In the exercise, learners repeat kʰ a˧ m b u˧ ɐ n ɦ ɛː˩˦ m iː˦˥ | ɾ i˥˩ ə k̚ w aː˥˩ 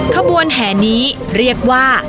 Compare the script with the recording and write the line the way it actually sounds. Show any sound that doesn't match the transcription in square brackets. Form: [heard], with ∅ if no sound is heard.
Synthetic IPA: kʰ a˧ m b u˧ [ə] n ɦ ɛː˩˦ [n] iː˦˥ | ɾ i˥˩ ə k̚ w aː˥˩